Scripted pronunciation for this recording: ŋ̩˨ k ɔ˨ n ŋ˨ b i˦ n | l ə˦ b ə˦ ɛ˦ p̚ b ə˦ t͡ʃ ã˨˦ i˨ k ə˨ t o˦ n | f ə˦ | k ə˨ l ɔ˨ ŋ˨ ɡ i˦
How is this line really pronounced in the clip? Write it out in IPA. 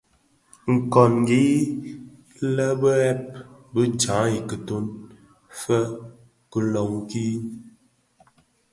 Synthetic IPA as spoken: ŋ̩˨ k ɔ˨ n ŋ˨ ɡ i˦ | l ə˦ b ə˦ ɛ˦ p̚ b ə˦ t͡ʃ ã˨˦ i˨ k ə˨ t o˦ n | f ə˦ | k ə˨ l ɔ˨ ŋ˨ k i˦